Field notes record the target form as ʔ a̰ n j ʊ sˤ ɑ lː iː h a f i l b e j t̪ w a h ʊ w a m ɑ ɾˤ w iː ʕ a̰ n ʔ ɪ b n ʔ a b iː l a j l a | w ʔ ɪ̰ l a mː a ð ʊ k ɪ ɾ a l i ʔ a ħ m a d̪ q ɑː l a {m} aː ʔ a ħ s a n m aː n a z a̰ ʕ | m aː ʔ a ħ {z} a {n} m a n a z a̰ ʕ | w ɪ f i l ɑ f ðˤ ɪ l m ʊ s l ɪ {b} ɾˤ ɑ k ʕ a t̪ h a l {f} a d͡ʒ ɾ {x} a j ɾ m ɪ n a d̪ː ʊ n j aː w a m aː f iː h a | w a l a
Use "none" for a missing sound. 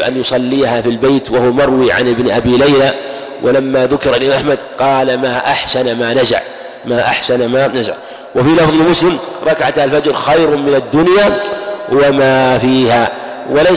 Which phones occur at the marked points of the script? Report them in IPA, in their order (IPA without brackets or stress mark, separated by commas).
m, s, n, m, f, x